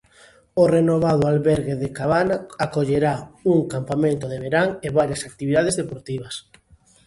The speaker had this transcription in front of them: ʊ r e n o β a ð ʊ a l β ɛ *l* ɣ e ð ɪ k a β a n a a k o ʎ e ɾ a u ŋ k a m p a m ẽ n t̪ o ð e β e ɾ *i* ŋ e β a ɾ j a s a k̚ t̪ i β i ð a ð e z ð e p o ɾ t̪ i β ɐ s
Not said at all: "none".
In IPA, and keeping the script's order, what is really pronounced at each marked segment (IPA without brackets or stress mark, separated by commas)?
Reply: ɾ, a